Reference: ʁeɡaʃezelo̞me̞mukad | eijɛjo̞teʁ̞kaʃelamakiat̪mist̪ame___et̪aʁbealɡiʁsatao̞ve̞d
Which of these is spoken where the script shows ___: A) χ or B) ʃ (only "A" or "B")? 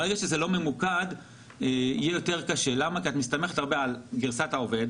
A